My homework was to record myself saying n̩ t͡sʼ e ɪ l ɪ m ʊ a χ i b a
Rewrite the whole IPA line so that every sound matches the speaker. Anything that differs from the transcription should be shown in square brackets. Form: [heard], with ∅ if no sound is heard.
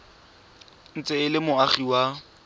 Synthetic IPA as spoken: n̩ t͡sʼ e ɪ l ɪ m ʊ a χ i [w] a